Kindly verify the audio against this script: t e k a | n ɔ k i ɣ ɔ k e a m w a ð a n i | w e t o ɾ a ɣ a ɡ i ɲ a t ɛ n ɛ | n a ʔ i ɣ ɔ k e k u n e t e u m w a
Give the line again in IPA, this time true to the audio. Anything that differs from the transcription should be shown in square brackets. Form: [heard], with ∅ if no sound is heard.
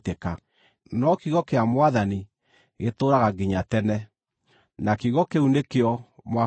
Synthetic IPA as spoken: t e k a | n ɔ k i ɣ ɔ k e a m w a ð a n i | [ɣ] e t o ɾ a ɣ a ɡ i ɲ a t ɛ n ɛ | n a [k] i ɣ ɔ k e [∅] u n e [k] e [ɔ] m w a